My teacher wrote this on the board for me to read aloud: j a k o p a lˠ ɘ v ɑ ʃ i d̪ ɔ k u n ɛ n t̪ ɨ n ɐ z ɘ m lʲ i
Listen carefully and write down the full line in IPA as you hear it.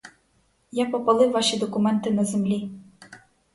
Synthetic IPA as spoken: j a p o p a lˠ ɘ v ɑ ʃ i d̪ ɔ k u m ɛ n t̪ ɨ n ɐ z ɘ m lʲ i